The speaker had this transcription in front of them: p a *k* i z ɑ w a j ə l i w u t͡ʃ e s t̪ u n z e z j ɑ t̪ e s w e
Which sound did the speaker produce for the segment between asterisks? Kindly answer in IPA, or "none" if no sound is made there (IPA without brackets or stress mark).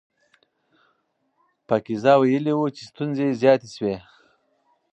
k